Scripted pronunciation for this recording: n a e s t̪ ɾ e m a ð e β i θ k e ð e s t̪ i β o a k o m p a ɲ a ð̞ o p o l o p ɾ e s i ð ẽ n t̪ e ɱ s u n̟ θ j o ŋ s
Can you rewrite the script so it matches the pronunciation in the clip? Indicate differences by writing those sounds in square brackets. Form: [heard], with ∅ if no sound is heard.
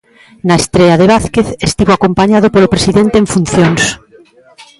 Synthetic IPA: n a e s t̪ ɾ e [∅] a ð e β [a] θ k e [θ] e s t̪ i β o a k o m p a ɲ a ð̞ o p o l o p ɾ e s i ð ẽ n t̪ e ɱ [f] u n̟ θ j o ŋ s